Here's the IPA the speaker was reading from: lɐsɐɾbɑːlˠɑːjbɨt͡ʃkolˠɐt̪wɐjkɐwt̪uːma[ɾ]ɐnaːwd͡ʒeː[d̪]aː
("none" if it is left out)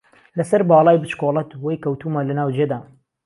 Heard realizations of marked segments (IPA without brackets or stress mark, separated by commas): l, d̪